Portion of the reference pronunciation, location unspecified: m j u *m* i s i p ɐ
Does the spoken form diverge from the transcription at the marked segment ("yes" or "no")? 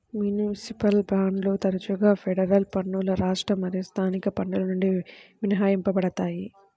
yes